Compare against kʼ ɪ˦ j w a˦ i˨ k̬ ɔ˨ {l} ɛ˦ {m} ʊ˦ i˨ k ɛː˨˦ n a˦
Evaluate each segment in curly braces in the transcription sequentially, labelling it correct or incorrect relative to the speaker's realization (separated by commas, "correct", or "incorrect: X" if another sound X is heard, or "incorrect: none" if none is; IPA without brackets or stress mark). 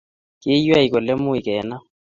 correct, correct